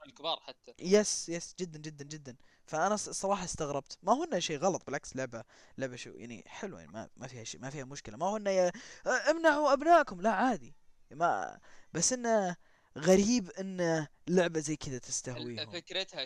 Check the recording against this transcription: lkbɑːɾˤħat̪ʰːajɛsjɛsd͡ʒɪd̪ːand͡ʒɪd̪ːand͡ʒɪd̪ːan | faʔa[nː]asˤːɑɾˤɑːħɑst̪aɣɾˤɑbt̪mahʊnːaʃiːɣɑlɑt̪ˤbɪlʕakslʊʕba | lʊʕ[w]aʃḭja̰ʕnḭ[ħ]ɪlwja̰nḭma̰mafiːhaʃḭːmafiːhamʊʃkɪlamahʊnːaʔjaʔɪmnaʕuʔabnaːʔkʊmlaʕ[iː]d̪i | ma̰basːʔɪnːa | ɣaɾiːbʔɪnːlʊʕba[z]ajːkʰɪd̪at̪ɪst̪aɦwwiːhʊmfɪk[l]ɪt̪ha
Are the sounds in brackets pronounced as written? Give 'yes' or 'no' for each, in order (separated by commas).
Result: no, no, yes, no, yes, no